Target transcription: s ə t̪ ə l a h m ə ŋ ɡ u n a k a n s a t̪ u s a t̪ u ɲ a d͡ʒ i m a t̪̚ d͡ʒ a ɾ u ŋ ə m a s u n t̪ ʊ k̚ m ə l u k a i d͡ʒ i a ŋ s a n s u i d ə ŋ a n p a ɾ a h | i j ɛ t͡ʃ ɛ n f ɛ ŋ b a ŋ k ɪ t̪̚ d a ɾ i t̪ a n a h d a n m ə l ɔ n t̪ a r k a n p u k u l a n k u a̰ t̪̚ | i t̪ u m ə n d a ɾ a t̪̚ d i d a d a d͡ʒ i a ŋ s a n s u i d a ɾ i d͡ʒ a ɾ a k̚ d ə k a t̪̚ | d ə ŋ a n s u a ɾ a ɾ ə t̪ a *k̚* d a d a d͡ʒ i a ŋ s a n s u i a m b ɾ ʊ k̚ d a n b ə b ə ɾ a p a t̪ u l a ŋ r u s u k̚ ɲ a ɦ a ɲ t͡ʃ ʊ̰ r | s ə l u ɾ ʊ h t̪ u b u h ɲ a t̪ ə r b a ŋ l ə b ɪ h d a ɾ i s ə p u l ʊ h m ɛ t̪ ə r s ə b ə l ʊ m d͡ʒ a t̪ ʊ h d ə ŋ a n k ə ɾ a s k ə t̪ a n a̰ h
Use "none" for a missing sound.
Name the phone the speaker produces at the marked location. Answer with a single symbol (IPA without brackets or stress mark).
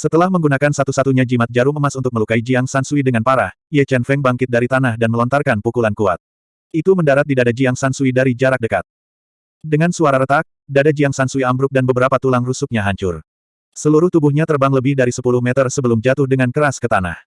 k̚